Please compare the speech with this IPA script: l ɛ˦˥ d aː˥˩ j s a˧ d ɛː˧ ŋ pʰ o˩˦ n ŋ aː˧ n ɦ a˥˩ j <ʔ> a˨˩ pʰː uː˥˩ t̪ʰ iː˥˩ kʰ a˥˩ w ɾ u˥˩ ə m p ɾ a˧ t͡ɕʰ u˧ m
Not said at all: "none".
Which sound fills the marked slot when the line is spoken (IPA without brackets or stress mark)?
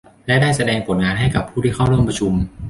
k